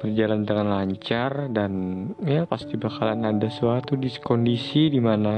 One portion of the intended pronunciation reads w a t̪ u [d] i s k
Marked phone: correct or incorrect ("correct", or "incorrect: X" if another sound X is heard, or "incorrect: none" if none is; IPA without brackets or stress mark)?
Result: correct